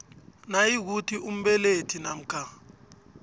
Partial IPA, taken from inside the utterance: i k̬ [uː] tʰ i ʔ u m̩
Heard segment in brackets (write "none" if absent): u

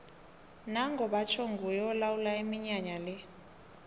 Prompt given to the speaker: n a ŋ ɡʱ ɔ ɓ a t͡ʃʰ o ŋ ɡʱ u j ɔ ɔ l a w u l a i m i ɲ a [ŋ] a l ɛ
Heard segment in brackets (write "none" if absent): ɲ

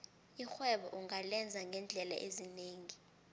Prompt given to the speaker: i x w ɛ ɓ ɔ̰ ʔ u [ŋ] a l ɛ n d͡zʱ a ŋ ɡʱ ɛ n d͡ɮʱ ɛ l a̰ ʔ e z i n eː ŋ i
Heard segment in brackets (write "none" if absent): ŋ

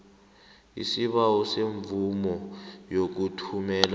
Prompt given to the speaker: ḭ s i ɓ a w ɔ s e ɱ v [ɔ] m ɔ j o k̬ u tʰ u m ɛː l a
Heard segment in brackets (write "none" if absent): u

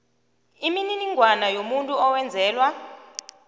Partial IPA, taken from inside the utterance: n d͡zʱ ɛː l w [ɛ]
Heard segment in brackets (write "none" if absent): a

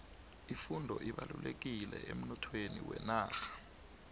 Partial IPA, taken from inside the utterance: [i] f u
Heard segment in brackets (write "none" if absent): i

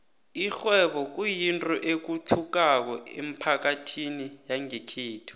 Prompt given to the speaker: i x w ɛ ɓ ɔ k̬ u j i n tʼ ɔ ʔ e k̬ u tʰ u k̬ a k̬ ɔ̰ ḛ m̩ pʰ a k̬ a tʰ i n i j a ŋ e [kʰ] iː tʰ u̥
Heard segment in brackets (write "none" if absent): kʰ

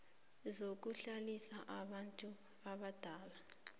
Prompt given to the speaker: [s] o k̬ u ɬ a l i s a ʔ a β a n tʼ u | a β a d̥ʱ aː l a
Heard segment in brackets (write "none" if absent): z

